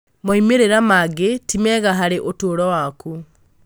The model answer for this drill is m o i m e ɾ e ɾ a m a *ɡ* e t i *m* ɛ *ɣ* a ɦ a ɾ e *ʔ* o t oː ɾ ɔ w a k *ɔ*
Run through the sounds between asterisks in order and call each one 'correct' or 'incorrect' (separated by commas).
correct, correct, correct, correct, incorrect